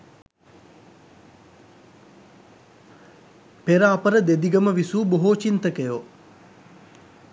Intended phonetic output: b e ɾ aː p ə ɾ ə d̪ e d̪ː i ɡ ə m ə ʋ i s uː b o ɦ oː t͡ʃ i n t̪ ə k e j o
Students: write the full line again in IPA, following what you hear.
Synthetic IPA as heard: p e ɾ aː p ə ɾ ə d̪ e d̪ i ɡ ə m ə ʋ i s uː b o ɦ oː t͡ʃ i n t̪ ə k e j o